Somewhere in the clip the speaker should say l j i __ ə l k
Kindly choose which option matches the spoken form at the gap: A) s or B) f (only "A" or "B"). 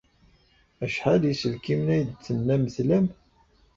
A